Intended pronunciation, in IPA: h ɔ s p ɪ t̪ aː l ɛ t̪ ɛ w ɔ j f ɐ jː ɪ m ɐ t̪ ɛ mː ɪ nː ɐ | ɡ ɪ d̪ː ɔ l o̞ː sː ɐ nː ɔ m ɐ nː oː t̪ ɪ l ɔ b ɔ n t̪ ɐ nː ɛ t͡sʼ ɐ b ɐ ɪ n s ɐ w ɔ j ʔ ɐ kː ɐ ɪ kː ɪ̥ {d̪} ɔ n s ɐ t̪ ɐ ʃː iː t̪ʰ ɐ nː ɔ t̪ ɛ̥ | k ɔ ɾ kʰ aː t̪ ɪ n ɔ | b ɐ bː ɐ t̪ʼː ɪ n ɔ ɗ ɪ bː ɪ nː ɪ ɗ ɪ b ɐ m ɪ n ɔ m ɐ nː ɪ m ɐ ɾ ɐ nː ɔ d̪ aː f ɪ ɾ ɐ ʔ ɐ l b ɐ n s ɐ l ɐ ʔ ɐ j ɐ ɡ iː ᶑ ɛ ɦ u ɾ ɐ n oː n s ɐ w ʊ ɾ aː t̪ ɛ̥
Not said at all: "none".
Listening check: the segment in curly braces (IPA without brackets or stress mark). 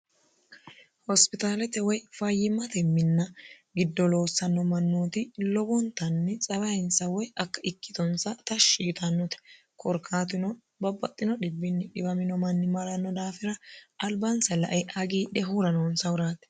t̪